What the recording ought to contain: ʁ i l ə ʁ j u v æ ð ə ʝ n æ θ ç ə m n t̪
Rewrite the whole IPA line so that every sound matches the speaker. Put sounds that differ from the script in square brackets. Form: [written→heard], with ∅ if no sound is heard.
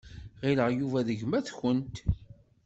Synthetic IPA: ʁ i l ə ʁ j u v æ ð ə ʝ [n→m] æ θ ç ə [m→∅] n t̪